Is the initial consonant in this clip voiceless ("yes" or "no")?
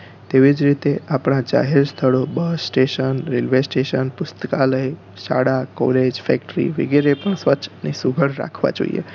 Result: yes